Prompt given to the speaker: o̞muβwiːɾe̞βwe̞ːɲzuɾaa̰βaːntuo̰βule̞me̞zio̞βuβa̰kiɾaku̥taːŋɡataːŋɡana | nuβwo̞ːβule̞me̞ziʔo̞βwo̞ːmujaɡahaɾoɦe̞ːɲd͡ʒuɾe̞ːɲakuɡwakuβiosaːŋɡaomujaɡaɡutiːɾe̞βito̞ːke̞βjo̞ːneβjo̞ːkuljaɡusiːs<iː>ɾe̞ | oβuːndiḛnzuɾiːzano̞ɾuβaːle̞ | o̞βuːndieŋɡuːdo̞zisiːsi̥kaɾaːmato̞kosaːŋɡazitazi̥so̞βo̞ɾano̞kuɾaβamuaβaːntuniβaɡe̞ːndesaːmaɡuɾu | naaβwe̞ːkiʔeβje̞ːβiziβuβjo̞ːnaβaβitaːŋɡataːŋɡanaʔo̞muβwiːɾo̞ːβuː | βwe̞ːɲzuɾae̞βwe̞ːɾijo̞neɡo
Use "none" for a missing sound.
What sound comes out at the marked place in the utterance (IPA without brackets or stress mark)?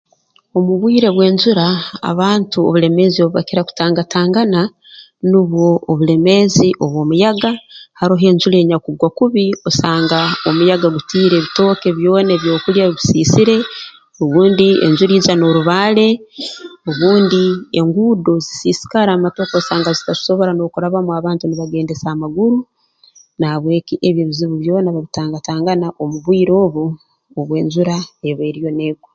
i